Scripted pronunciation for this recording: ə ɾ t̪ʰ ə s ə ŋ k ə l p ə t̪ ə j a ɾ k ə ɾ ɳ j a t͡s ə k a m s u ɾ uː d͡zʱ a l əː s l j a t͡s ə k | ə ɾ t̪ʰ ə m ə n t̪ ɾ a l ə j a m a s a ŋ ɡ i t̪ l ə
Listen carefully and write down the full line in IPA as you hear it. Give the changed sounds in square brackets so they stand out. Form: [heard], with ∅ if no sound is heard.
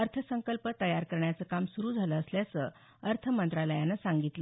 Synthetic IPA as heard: ə ɾ t̪ʰ ə s ə ŋ k ə l p ə t̪ ə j a ɾ k ə ɾ ɳ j a t͡s ə k a m s u ɾ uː d͡zʱ a l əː s l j a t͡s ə [∅] | ə ɾ t̪ʰ ə m ə n t̪ ɾ a l ə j a [n] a s a ŋ ɡ i t̪ l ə

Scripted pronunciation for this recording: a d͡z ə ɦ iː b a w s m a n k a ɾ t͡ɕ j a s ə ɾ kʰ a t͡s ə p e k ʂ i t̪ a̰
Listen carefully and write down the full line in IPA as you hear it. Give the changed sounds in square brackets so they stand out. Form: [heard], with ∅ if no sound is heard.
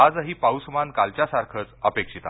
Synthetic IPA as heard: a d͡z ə ɦ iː [p] a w s m a n k a [l] t͡ɕ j a s [a] ɾ kʰ [ə] t͡s ə p e k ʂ i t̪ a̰

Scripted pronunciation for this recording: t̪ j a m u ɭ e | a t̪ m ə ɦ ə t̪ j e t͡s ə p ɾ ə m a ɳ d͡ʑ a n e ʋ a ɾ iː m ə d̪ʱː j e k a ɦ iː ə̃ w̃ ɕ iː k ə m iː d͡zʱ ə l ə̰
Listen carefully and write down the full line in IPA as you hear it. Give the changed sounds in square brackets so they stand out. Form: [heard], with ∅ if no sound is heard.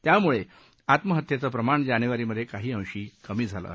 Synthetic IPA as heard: t̪ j a m u ɭ e | a t̪ m ə ɦ ə t̪ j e t͡s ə p ɾ ə m a ɳ d͡ʑ a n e ʋ a ɾ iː m ə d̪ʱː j e k a ɦ iː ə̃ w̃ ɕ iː k ə m iː d͡zʱ [a] l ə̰

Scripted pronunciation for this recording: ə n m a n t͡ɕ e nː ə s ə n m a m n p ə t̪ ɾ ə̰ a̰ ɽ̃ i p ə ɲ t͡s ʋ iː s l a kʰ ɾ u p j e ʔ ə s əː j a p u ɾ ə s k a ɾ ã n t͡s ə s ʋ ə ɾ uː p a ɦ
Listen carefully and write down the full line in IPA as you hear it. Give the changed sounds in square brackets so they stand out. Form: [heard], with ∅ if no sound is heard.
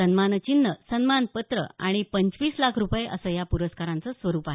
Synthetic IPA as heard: ə n m a n t͡ɕ [i] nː ə s ə n m a [∅] n p ə t̪ ɾ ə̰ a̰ ɽ̃ i p ə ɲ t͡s ʋ iː s l a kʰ ɾ u p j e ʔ ə s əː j a p u ɾ ə s k a ɾ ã n t͡s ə s ʋ ə ɾ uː p a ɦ

